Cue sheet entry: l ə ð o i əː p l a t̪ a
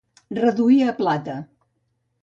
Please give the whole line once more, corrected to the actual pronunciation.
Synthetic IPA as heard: r ə ð u i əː p l a t̪ ə